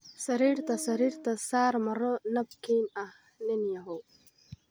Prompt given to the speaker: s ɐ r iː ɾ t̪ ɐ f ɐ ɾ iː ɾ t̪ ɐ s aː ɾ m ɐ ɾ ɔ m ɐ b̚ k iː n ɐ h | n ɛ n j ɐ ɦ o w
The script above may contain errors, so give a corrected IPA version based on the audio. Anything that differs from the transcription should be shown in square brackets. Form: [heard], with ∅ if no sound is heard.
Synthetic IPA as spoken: s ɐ [ɾ] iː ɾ t̪ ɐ [s] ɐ ɾ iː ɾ t̪ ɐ s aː ɾ m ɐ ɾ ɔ [n] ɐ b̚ k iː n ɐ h | n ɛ n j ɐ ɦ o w